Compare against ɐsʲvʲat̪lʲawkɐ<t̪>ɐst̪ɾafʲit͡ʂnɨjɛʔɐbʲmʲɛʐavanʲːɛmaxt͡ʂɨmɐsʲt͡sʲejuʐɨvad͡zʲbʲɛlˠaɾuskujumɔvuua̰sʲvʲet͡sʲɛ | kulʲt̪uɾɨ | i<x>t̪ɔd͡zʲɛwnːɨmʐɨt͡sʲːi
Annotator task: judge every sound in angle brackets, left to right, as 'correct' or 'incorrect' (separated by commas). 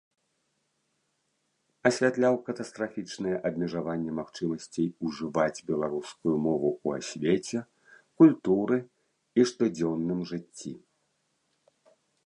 correct, incorrect